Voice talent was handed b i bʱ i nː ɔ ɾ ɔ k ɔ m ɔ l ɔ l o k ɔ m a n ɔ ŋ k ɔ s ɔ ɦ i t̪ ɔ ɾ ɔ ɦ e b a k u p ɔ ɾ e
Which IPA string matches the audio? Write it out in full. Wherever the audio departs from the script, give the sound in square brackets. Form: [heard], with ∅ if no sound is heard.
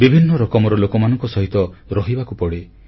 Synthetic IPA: b i bʱ i nː ɔ ɾ ɔ k ɔ m ɔ [ɾ] ɔ l o k ɔ m a n ɔ ŋ k ɔ s ɔ ɦ i t̪ ɔ ɾ ɔ ɦ [i] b a k u p ɔ [ɽ] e